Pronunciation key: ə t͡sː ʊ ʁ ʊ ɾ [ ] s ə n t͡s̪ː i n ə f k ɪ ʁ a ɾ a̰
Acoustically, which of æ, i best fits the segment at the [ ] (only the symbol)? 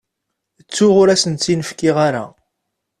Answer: æ